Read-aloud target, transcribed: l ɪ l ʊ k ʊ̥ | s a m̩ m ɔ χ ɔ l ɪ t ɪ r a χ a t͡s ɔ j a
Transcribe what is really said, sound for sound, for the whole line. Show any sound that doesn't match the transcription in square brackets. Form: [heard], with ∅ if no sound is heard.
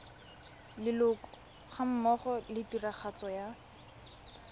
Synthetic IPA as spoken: l ɪ l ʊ k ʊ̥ | [χ] a m̩ m ɔ χ ɔ l ɪ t [i] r a χ a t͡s ɔ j a